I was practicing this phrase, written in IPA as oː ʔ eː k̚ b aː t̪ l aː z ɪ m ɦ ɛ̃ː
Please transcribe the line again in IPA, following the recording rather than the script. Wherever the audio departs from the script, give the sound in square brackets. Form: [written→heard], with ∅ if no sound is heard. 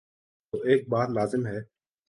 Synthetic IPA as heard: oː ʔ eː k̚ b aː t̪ l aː z ɪ m ɦ [ɛ̃ː→ɛː]